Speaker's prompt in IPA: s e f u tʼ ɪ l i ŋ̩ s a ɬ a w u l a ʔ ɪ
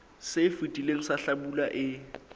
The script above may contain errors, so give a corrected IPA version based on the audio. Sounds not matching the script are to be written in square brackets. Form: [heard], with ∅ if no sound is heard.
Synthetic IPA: s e f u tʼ [i] l [e] ŋ̩ s a ɬ a [b] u l a ʔ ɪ